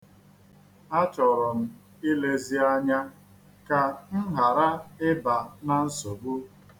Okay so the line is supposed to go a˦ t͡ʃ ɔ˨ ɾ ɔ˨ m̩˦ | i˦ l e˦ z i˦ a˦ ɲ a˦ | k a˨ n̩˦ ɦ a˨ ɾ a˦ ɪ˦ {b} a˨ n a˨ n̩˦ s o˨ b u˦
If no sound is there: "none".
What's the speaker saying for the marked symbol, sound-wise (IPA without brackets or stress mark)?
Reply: b